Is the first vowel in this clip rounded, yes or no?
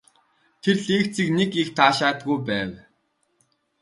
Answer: no